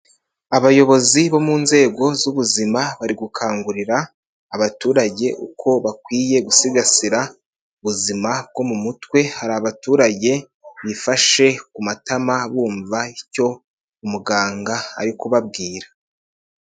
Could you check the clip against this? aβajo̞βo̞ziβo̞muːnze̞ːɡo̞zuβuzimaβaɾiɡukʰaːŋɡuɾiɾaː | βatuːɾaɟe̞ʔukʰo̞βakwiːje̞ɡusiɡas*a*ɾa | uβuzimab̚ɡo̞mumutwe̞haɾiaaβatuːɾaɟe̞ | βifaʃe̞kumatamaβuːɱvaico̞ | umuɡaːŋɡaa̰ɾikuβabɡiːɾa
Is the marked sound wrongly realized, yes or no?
yes